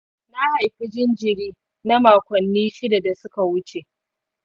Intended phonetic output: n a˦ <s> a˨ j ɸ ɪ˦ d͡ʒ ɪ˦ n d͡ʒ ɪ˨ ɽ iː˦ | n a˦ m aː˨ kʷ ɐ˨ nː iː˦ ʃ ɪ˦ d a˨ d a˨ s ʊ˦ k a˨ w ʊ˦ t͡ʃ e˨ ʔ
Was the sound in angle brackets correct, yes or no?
no